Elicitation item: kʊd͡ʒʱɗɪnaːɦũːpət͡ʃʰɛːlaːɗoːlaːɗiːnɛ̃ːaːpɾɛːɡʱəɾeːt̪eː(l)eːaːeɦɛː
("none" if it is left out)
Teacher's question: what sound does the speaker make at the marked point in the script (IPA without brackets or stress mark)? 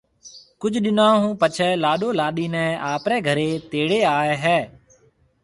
ɽ